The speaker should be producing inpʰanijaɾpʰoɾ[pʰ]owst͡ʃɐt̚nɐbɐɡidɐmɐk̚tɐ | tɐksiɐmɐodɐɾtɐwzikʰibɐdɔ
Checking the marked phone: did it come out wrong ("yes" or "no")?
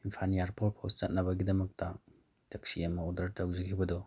no